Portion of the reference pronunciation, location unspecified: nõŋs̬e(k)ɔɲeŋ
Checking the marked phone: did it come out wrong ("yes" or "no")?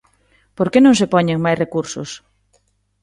yes